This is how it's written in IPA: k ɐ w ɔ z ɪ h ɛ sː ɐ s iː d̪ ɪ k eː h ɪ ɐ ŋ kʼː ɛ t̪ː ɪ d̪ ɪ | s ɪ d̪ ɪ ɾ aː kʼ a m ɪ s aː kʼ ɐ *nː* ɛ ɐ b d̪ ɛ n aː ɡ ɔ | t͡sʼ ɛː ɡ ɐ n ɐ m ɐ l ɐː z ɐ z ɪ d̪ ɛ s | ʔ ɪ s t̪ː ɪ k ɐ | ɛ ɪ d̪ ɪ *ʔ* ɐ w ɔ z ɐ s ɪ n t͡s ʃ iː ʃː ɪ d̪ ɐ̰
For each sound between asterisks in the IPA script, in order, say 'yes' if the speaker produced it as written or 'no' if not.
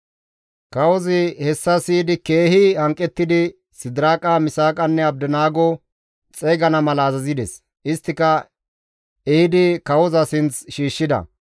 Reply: yes, no

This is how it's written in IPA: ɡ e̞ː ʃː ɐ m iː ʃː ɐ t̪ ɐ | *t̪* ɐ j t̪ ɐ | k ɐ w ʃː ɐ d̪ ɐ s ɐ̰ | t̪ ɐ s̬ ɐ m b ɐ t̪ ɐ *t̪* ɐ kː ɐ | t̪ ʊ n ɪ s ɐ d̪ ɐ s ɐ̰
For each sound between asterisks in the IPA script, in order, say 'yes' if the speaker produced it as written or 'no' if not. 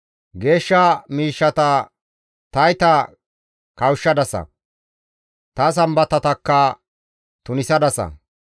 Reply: yes, yes

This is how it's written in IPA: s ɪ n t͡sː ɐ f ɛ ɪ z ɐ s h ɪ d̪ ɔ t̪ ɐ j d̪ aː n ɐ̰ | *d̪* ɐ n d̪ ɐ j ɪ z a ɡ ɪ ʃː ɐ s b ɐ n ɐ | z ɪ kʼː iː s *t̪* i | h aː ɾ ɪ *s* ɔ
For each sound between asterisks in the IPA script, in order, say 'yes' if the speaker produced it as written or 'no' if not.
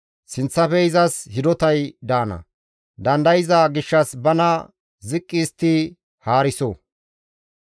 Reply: yes, yes, yes

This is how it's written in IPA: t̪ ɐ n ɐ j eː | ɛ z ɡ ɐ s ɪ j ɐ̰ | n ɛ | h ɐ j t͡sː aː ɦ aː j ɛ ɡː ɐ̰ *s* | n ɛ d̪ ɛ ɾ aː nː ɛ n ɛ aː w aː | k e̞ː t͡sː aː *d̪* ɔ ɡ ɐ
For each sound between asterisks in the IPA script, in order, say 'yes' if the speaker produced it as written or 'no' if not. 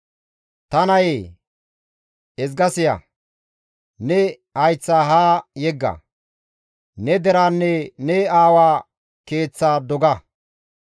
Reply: no, yes

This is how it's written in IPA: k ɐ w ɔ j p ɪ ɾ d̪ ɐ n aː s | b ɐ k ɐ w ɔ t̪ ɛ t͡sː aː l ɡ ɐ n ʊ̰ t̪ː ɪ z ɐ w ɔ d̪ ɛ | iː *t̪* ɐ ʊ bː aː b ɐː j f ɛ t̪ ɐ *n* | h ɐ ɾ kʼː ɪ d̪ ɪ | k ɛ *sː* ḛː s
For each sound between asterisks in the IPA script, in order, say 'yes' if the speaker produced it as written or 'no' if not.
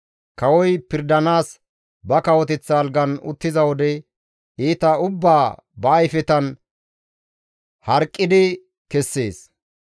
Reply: yes, yes, yes

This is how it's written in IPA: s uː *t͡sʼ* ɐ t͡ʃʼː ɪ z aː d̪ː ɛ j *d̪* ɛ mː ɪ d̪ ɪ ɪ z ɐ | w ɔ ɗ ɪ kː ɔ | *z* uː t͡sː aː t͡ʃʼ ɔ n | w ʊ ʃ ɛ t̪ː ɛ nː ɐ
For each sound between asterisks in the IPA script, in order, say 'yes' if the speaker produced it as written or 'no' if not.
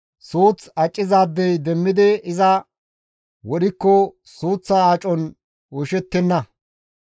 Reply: no, yes, no

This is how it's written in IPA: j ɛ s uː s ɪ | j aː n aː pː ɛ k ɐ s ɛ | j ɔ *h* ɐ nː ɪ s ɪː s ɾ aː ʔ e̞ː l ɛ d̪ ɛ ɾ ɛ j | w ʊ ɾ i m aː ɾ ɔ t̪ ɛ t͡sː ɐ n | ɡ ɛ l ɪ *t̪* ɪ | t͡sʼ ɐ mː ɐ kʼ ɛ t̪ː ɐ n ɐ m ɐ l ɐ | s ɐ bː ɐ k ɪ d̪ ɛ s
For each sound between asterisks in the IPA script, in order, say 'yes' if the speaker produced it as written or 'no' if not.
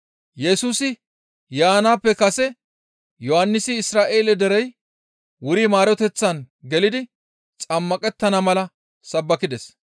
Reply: yes, no

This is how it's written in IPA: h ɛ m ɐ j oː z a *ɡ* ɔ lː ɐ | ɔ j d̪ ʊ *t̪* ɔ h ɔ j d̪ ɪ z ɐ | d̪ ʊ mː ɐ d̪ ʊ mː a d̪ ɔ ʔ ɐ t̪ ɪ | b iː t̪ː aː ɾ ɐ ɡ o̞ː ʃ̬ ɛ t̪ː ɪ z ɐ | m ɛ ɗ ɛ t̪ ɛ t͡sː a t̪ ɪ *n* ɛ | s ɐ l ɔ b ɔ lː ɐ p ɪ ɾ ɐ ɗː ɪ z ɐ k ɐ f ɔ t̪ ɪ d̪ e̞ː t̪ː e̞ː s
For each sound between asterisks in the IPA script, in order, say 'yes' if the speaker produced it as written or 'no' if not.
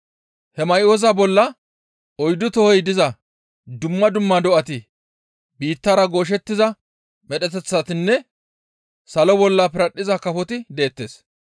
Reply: no, yes, no

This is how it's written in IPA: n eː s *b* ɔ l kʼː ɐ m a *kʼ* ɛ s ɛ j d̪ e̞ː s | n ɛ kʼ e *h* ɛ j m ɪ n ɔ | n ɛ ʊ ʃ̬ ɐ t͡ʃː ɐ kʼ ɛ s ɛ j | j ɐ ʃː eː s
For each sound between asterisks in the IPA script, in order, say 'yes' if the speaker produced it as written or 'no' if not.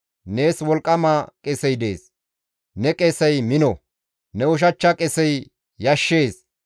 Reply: no, yes, no

